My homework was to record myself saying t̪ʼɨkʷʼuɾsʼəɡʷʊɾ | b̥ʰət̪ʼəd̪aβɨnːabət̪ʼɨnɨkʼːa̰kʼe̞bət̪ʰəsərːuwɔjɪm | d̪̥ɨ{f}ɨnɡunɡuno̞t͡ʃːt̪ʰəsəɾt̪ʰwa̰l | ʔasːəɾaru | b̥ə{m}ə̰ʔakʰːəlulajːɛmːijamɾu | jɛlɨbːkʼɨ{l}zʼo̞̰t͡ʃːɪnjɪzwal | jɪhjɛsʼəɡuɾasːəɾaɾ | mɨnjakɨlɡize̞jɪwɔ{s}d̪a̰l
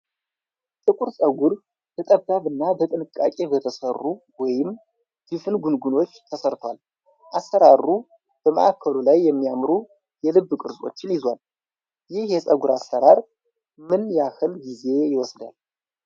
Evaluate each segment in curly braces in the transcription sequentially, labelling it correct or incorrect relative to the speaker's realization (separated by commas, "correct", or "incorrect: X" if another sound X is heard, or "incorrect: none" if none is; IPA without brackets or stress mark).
correct, correct, incorrect: ɾ, correct